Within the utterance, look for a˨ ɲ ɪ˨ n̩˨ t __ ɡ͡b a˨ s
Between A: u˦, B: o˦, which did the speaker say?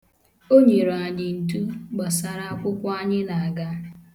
A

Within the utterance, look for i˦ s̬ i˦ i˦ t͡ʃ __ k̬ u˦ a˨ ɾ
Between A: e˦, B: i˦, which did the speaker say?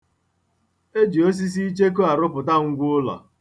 A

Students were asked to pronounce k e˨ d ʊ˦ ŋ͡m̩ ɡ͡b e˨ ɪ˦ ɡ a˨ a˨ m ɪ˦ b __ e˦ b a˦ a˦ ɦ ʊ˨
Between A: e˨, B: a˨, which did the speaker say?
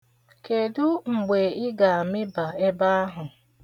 B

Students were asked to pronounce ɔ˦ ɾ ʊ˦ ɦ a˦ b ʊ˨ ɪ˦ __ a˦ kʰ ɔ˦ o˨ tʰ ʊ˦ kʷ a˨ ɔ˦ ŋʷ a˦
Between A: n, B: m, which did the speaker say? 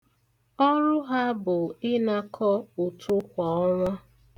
A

